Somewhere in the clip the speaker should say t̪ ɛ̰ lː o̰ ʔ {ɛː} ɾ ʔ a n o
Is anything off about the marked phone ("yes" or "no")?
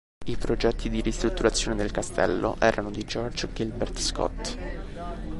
no